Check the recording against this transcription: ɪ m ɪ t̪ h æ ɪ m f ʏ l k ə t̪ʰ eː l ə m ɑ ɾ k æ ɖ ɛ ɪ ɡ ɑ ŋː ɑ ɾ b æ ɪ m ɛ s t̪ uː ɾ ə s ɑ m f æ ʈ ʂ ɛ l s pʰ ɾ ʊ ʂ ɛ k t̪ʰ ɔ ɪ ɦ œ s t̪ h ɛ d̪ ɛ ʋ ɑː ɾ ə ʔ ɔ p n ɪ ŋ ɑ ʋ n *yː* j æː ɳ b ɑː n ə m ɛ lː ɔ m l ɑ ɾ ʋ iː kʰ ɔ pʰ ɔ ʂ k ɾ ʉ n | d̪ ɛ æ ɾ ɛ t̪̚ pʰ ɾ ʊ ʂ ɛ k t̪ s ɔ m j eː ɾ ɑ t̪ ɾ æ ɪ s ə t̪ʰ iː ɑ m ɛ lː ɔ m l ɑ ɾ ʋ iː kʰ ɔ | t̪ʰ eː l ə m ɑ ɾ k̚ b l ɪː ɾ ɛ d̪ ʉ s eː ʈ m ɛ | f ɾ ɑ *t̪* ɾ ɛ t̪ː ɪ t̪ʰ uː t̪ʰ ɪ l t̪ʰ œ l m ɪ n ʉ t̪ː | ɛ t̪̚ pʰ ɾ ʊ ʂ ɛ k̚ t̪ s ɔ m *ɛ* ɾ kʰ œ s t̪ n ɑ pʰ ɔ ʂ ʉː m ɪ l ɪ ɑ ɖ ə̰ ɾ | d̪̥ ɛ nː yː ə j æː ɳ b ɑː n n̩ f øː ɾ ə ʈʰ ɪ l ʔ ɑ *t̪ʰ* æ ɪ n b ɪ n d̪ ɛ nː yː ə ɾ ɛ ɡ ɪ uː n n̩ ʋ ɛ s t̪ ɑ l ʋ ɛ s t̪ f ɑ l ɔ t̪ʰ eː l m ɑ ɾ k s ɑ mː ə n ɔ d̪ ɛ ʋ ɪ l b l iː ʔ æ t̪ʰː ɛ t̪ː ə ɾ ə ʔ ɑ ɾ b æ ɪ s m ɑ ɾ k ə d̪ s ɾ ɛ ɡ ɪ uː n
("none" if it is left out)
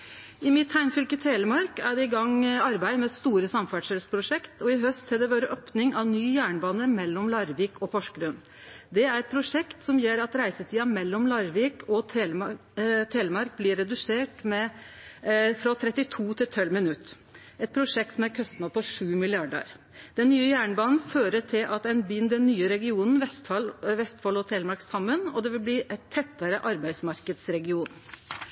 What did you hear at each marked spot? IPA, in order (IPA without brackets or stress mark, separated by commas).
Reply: yː, t̪ʰ, æ, t̪